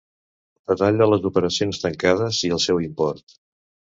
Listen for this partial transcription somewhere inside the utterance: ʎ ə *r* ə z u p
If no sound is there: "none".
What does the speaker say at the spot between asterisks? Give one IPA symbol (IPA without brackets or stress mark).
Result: l